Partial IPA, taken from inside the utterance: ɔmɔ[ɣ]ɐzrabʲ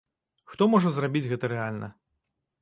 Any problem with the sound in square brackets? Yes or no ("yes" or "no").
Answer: yes